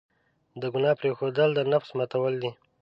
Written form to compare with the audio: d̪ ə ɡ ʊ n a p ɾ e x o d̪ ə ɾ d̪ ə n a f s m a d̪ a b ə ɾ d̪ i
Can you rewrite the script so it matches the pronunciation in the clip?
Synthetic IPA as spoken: d̪ ə ɡ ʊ n ɑ p ɾ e x o d̪ ə l d̪ ə n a f s m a t̪ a w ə l d̪ i